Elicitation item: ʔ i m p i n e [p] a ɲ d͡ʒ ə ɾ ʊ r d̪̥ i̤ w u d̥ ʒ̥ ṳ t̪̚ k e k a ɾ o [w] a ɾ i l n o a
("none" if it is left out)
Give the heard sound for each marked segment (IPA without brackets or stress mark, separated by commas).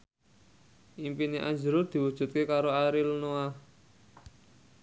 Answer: ʔ, none